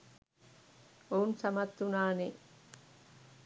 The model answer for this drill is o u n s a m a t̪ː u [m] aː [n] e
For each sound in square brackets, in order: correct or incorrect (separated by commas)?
incorrect, correct